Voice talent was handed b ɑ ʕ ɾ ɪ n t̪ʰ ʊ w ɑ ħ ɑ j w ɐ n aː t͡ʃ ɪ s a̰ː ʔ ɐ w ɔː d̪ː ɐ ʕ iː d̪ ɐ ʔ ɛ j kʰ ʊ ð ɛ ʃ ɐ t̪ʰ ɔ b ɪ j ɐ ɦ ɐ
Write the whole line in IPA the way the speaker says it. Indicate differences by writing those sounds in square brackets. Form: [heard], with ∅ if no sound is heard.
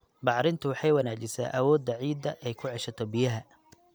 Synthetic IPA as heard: b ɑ ʕ ɾ ɪ n t̪ʰ ʊ w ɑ ħ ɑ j w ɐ n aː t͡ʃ ɪ s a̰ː ʔ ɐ w ɔː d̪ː ɐ ʕ iː d̪ ɐ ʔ ɛ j kʰ ʊ [ʕ] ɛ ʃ ɐ t̪ʰ ɔ b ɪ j ɐ ɦ ɐ